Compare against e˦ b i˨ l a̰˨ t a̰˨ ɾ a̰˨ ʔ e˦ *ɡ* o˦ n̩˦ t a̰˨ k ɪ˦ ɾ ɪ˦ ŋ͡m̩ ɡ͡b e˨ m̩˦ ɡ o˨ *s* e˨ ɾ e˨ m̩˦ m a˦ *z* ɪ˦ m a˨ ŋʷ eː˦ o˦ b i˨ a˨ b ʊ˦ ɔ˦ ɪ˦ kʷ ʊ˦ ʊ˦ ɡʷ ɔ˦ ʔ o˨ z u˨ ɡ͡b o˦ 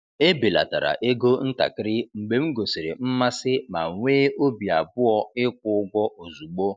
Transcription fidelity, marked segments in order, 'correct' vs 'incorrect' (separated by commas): correct, correct, incorrect